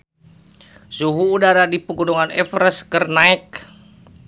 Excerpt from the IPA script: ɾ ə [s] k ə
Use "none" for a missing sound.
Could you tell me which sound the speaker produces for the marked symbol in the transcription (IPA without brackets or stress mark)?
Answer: s